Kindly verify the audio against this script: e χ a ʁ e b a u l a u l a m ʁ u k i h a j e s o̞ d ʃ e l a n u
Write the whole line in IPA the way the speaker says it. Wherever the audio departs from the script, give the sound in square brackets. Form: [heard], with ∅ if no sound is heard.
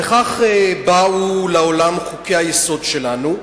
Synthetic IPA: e χ a [χ] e b a u l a [o] l a m [χ] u k [e] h a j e s o̞ d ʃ e l a n u